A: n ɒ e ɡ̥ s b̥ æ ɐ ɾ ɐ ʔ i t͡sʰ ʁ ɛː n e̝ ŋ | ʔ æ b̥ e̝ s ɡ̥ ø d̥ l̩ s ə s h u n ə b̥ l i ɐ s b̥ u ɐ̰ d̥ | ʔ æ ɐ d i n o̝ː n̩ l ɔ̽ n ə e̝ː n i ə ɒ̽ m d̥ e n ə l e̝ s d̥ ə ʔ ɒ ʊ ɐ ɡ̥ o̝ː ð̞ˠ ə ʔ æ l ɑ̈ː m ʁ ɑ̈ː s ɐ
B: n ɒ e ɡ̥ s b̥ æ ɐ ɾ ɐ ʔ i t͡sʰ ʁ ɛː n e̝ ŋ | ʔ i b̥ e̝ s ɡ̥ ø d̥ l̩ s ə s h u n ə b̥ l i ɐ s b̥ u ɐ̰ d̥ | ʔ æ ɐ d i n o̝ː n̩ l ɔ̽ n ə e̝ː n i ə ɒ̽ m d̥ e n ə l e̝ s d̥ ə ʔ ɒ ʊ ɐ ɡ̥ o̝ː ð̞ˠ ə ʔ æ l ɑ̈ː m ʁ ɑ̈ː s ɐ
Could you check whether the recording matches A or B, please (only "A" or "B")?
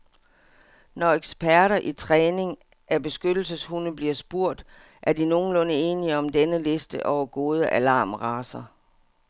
A